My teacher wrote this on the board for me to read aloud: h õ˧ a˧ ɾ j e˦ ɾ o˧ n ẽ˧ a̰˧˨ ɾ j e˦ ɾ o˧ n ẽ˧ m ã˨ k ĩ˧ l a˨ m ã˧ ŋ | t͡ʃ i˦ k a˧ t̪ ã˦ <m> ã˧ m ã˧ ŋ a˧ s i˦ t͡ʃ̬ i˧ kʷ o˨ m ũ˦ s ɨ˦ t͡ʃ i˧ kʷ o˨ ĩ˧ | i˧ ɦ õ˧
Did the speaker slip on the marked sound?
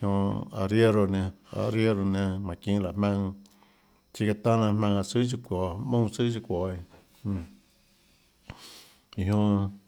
yes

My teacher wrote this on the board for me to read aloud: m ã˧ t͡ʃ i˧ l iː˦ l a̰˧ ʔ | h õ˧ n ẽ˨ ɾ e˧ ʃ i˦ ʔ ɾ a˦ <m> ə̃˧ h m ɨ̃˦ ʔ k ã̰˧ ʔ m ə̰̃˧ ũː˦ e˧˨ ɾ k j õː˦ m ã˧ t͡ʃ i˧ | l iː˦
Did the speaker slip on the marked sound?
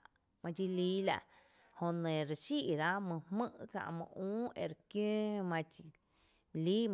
no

